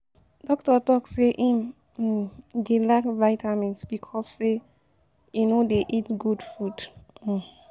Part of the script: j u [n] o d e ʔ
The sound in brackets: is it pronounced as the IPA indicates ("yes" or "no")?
yes